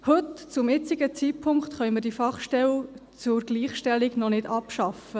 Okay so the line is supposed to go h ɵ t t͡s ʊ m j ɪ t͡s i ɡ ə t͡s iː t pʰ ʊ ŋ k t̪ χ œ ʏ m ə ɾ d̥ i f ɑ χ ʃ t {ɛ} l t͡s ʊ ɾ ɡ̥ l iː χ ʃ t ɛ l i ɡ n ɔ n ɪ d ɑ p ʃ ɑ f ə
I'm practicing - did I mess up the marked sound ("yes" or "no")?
no